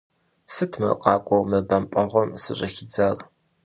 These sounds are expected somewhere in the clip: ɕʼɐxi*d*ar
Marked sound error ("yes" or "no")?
yes